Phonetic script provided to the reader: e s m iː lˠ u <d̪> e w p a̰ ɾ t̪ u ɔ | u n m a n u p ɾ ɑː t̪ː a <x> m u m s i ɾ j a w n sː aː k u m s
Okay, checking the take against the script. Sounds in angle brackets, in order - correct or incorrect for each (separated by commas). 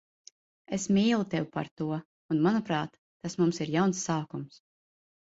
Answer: incorrect, incorrect